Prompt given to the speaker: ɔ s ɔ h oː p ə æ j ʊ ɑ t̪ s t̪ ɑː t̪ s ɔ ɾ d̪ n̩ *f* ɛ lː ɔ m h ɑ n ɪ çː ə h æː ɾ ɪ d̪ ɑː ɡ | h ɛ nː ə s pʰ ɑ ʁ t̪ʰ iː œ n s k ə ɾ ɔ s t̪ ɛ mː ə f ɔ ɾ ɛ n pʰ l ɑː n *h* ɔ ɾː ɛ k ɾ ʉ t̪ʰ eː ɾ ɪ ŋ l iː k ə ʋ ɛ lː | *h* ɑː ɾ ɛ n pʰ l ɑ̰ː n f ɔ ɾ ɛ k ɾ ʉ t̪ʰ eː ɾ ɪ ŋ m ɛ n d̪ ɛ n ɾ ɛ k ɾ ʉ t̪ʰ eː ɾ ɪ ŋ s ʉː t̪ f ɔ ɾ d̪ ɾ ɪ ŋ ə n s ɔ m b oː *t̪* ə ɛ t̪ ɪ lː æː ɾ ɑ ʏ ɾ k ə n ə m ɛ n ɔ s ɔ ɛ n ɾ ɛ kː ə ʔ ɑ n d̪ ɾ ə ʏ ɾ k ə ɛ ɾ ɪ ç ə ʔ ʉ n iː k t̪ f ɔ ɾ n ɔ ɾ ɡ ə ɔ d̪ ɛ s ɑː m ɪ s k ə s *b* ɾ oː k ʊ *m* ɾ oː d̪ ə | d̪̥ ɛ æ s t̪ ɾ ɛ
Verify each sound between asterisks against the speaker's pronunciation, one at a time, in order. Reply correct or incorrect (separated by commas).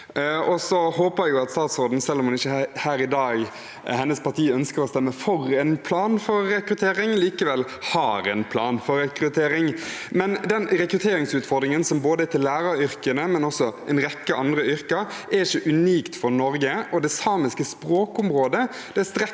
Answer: incorrect, incorrect, correct, incorrect, incorrect, correct